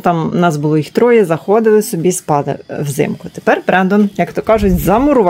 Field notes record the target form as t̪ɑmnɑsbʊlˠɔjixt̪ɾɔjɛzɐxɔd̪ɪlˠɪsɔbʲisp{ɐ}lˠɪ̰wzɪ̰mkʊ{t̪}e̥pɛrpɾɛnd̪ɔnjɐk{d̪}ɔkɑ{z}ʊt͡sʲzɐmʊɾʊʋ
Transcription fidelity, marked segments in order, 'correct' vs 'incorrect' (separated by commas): incorrect, correct, incorrect, incorrect